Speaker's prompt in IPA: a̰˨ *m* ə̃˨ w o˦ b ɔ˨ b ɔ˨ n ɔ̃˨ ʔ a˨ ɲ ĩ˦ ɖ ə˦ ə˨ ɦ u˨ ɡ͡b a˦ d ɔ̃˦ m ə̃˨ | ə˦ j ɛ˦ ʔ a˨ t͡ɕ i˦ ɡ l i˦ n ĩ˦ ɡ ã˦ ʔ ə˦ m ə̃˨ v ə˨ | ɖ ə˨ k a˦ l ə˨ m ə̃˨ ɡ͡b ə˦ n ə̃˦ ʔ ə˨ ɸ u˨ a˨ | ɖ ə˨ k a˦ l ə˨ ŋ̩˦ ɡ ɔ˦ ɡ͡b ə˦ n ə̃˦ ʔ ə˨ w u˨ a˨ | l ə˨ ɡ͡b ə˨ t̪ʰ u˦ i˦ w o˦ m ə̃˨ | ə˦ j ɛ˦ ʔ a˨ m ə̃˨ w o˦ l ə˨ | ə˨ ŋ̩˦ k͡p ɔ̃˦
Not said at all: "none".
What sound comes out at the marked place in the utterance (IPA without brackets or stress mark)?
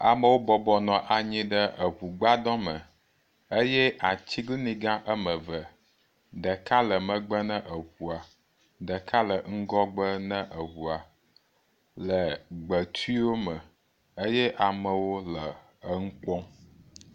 m